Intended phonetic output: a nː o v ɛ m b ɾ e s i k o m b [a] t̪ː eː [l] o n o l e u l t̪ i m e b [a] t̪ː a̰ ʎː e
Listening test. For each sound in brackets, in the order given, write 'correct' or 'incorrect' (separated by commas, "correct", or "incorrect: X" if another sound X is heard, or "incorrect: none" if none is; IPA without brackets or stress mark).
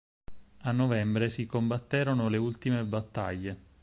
correct, incorrect: ɾ, correct